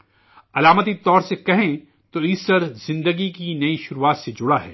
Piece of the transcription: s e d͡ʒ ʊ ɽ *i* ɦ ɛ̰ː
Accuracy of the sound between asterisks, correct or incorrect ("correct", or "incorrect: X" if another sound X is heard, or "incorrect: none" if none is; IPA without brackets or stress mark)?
incorrect: a